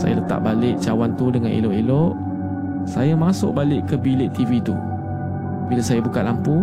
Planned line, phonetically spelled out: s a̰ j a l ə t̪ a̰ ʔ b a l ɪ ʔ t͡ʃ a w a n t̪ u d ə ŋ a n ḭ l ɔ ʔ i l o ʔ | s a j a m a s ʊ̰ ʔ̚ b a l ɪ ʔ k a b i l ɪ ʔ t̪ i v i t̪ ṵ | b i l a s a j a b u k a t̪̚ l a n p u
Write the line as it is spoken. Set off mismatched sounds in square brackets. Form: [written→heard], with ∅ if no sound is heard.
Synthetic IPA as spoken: s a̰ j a l ə t̪ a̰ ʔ b a l ɪ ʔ t͡ʃ a w a n t̪ u d ə ŋ a n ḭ l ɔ ʔ i l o ʔ | s a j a m a s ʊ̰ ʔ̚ b a l ɪ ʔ k [a→ə] b i l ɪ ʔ t̪ i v i t̪ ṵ | b i l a s a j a b u k a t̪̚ l a [n→m] p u